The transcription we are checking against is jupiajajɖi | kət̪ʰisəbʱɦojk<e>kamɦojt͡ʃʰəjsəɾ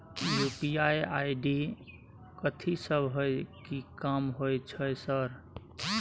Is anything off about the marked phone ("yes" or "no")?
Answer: yes